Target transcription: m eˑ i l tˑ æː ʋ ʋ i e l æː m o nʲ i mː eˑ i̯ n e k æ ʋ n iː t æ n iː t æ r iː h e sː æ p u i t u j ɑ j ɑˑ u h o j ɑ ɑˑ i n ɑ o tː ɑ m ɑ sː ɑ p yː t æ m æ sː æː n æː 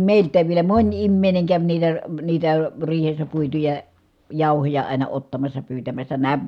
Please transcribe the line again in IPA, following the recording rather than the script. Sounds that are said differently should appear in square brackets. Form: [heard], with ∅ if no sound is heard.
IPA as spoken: m eˑ i l tˑ æː ʋ ʋ i e l [æ] m o nʲ i mː eˑ i̯ n e k æ ʋ n iː t æ n iː t æ r iː h e sː æ p u i t u j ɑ j ɑˑ u h o j ɑ ɑˑ i n ɑ o tː ɑ m ɑ sː ɑ p yː t æ m æ sː [æ] n æː